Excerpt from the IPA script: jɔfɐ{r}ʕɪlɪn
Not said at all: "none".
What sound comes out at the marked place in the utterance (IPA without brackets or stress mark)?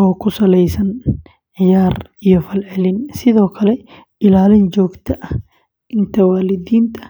l